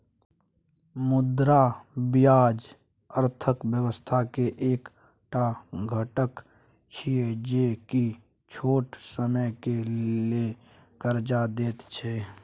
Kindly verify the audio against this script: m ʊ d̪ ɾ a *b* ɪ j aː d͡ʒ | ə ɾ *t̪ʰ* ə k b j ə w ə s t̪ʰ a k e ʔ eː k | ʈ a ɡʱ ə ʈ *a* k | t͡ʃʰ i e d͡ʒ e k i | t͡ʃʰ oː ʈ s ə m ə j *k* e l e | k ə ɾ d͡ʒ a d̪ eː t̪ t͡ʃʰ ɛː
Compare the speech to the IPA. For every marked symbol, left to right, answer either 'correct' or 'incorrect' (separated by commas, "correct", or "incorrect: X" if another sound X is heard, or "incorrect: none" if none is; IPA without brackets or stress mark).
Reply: correct, correct, incorrect: ə, correct